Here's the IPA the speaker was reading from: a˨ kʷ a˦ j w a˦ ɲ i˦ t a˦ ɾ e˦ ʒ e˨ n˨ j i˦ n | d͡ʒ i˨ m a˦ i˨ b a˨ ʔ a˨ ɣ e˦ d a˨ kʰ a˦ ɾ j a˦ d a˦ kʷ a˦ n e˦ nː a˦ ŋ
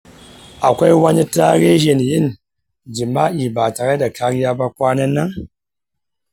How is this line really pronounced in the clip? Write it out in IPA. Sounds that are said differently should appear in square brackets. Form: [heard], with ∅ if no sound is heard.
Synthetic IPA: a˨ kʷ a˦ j w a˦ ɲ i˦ t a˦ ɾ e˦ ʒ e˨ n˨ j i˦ n | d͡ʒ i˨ m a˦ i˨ b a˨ [t] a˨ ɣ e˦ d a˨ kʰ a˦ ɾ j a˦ [b] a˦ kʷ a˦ n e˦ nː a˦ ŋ

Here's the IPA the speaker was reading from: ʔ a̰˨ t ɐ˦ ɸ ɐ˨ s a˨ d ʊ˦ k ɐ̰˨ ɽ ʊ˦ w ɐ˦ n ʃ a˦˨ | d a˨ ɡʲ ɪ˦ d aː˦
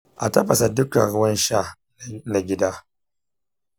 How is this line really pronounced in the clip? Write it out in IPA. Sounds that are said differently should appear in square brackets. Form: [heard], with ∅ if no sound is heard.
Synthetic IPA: ʔ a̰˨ t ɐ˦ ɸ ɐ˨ s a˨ d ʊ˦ k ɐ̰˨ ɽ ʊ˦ w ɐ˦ n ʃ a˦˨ | [n] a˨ ɡʲ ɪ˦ d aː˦

